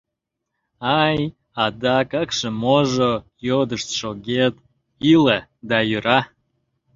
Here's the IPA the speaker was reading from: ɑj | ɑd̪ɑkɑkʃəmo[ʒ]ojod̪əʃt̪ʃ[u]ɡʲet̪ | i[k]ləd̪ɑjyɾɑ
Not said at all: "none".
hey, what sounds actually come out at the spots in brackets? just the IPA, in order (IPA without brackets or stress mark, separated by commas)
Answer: ʒ, o, none